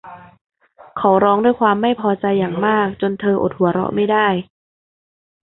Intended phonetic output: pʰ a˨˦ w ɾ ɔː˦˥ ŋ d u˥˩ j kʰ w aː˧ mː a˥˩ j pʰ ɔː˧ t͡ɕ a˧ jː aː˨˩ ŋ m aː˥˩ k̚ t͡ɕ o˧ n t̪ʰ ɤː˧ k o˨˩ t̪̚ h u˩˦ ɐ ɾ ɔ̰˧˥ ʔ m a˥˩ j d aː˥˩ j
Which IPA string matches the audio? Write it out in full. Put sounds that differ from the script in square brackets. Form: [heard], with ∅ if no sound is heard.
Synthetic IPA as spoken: [kʰ] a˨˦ w ɾ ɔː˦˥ ŋ d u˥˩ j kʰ w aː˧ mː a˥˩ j pʰ ɔː˧ t͡ɕ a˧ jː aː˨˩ ŋ m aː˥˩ k̚ t͡ɕ o˧ n t̪ʰ ɤː˧ [ʔ] o˨˩ t̪̚ h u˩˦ ɐ ɾ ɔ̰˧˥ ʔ m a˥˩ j d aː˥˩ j